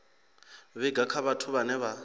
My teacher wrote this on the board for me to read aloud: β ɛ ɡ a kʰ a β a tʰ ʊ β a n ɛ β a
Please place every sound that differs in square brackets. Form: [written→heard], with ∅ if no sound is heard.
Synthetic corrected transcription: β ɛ ɡ a kʰ a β a tʰ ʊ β a n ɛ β a